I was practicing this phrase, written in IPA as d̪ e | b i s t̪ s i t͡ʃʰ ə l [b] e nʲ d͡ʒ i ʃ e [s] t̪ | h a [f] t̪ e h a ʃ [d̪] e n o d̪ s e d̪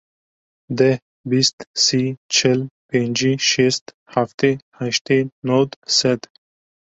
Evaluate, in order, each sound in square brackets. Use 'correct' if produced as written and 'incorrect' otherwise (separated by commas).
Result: incorrect, correct, correct, incorrect